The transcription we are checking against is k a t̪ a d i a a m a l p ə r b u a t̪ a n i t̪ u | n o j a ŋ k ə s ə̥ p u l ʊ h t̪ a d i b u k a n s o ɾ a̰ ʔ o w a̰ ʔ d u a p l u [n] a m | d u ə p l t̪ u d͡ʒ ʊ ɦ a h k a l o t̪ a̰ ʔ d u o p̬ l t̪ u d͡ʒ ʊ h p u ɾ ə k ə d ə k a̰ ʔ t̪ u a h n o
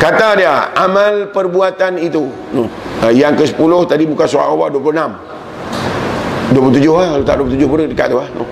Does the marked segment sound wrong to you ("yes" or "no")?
no